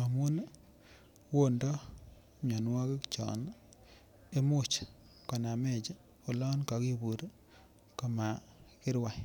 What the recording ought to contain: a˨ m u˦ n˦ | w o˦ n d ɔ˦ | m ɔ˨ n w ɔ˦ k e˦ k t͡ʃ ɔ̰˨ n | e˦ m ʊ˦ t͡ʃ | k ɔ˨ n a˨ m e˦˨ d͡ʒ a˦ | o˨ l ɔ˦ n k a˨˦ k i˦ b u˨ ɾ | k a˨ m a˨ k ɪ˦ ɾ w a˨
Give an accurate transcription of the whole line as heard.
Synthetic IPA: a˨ m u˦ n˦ | w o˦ n d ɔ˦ | ɲ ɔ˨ n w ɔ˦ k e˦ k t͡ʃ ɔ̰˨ n | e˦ m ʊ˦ t͡ʃ | k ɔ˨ n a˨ m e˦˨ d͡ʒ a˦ | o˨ l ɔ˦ n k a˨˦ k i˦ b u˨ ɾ | k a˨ m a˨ k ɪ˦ ɾ w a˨